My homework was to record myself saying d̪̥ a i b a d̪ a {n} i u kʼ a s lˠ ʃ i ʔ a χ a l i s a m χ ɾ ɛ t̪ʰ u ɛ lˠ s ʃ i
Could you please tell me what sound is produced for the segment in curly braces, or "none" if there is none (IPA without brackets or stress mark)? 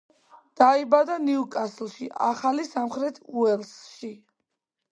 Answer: n